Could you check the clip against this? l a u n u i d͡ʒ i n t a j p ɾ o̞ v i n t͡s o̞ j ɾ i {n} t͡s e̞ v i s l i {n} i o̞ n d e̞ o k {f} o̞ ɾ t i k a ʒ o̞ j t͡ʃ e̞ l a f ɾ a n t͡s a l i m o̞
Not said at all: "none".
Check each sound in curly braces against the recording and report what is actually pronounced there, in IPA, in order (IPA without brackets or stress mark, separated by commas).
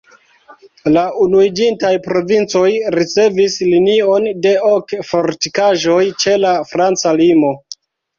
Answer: none, n, f